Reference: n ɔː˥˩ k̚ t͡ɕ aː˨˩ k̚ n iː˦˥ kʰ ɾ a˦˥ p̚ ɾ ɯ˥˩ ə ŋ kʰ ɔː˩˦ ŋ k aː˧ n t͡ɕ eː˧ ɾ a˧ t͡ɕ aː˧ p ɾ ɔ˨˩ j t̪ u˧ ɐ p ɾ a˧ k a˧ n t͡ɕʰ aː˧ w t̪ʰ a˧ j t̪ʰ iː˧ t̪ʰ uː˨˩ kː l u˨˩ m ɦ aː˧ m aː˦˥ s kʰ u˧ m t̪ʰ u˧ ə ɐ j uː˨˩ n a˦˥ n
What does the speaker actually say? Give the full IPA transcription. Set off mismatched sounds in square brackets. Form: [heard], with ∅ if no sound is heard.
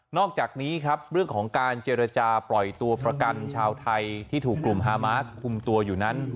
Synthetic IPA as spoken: n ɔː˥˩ k̚ t͡ɕ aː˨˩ k̚ n iː˦˥ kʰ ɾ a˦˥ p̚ ɾ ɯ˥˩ ə ŋ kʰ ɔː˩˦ ŋ k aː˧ n t͡ɕ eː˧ ɾ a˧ t͡ɕ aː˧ p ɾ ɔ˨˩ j t̪ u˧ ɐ p ɾ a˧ k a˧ n t͡ɕʰ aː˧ w t̪ʰ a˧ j t̪ʰ [iː˥˩] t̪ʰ uː˨˩ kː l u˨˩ m ɦ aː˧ m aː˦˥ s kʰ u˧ m [t̪] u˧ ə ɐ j uː˨˩ n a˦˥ n

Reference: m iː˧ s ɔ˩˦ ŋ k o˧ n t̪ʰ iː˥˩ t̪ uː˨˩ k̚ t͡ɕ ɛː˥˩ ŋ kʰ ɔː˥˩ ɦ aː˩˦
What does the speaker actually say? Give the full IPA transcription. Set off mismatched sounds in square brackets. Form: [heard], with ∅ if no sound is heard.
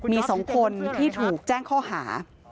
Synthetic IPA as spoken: m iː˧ s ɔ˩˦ ŋ [kʰ] o˧ n t̪ʰ iː˥˩ [t̪ʰ] uː˨˩ k̚ t͡ɕ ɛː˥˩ ŋ kʰ ɔː˥˩ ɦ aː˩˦

